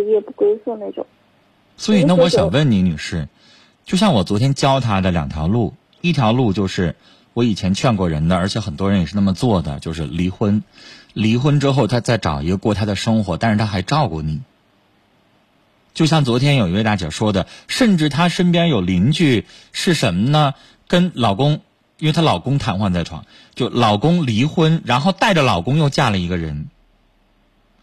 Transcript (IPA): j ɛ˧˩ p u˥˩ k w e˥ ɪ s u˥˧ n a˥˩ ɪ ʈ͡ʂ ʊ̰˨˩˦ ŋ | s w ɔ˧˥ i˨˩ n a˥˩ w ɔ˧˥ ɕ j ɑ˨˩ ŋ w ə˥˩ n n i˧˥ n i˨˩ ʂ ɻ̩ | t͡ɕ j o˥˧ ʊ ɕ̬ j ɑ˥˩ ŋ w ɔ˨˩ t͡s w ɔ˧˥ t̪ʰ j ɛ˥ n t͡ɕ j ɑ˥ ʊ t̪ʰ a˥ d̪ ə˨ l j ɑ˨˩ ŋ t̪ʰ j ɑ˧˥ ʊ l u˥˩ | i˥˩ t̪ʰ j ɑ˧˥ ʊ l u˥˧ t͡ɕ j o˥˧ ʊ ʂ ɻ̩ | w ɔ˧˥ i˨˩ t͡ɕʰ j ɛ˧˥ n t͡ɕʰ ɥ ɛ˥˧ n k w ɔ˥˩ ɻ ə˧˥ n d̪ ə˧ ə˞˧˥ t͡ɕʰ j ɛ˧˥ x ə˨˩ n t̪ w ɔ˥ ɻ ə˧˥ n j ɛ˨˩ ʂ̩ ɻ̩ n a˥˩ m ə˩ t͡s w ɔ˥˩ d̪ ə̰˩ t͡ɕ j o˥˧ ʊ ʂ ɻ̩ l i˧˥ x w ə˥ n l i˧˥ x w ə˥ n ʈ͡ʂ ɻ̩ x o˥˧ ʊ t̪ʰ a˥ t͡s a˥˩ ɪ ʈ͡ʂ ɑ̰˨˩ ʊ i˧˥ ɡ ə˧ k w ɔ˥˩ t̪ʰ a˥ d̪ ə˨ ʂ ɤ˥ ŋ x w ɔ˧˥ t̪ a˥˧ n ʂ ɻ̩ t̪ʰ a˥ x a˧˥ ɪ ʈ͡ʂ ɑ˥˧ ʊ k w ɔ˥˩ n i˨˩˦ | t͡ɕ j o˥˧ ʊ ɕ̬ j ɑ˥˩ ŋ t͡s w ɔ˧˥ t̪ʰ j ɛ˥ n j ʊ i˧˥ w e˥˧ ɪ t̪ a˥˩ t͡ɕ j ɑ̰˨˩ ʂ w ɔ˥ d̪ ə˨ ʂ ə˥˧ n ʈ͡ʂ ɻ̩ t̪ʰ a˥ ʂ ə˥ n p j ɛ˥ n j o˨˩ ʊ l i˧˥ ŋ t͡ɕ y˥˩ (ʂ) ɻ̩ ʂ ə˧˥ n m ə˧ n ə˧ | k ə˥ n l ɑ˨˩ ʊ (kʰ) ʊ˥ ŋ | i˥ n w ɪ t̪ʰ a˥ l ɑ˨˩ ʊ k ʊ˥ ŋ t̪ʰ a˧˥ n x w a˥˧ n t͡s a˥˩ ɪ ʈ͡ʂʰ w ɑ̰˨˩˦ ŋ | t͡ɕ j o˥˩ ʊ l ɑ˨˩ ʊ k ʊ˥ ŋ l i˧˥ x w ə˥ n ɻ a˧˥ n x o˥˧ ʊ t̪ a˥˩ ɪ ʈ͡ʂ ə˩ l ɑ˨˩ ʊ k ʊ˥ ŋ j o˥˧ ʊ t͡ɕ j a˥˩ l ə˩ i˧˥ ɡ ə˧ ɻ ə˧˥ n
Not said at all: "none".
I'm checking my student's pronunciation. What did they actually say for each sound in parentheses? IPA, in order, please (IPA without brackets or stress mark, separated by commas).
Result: ʂ, k